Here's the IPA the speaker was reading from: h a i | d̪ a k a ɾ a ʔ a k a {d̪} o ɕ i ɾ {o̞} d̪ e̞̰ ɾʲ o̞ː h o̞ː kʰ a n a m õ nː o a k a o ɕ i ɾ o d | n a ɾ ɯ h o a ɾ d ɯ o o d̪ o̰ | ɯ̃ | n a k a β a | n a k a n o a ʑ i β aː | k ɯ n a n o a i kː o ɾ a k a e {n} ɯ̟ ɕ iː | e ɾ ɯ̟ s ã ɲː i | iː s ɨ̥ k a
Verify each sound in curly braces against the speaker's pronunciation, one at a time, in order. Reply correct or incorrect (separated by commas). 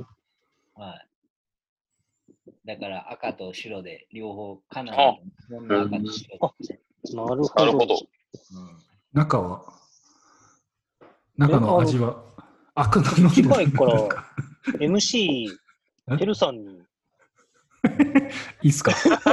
incorrect, correct, incorrect